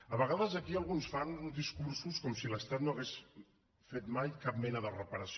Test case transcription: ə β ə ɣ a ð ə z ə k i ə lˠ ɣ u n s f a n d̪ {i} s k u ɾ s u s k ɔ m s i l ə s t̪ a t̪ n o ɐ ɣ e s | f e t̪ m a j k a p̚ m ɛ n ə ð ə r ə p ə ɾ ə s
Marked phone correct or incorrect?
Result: correct